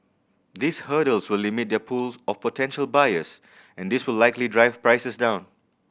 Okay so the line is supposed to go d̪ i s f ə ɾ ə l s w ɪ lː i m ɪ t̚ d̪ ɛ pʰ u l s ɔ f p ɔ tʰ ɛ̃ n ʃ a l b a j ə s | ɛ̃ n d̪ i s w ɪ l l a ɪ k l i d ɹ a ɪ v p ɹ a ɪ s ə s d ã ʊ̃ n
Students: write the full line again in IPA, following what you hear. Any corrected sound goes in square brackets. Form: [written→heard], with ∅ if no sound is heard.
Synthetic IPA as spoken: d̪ i s [f→h] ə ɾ ə l s w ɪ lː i m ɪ t̚ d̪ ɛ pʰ u l s ɔ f p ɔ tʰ ɛ̃ n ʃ [a→ə] l b a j ə s | ɛ̃ n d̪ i s w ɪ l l a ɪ k l i d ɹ a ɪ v p ɹ a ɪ s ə s d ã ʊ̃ n